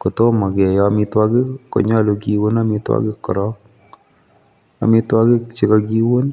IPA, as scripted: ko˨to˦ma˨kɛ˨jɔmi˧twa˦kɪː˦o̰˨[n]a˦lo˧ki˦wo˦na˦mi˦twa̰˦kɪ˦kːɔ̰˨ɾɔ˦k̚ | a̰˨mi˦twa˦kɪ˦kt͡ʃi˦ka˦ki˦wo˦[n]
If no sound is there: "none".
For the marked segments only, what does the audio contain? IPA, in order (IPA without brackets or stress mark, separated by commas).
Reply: ɲ, n